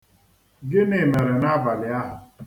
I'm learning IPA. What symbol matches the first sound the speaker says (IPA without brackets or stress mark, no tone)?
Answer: ɡ